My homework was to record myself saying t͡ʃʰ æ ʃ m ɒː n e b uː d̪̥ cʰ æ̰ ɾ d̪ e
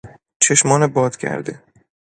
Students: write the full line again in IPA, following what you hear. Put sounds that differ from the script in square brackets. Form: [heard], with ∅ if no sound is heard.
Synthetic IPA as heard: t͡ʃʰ [e] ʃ m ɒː n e b [ɒː] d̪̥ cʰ æ̰ ɾ d̪ e